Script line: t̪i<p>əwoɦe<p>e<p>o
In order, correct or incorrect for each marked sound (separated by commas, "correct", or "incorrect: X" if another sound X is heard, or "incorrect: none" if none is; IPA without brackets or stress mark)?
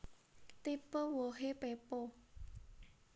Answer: correct, correct, correct